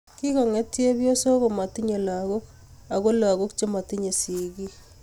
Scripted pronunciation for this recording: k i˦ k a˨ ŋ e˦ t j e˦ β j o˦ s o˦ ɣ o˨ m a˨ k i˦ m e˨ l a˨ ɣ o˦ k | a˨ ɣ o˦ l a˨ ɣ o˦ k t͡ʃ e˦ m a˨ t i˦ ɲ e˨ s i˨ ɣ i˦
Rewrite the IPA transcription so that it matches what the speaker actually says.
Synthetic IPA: k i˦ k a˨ ŋ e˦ t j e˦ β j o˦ s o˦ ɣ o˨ m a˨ t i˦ ɲ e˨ l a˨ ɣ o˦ k | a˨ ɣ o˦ l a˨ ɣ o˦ k t͡ʃ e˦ m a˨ t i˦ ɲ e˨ s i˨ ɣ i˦